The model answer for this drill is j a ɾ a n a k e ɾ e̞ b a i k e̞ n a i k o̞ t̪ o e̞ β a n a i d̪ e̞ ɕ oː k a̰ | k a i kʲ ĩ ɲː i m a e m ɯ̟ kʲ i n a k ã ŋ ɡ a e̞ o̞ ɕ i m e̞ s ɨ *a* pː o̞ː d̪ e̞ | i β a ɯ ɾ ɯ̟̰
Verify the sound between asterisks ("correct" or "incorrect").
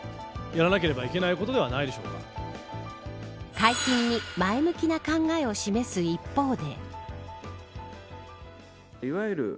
incorrect